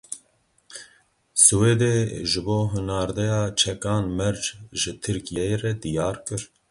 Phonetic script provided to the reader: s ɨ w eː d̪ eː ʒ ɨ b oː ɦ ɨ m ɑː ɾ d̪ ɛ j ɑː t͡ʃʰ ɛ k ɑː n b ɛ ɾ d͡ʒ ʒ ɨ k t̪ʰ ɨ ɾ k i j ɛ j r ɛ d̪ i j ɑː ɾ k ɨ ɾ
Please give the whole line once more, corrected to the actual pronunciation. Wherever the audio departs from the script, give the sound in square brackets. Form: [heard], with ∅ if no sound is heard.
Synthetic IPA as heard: s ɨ w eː d̪ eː ʒ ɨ b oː ɦ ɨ [n] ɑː ɾ d̪ ɛ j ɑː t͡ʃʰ ɛ k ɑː n [m] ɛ ɾ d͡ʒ ʒ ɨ [∅] t̪ʰ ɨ ɾ k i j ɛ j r ɛ d̪ i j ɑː ɾ k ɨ ɾ